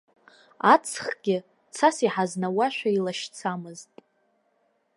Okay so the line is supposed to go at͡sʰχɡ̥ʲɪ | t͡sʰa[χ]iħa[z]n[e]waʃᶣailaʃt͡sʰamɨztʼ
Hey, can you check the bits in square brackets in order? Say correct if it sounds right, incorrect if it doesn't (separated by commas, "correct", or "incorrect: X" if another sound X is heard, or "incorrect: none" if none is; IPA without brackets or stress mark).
incorrect: s, correct, incorrect: a